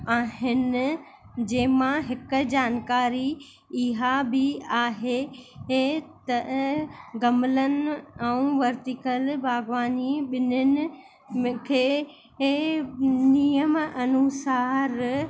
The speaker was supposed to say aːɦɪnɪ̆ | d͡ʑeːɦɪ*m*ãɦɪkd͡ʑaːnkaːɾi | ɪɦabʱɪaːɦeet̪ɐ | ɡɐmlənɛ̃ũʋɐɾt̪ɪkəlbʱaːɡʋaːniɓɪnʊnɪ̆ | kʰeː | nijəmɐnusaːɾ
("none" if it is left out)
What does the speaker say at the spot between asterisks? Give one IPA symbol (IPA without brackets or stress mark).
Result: m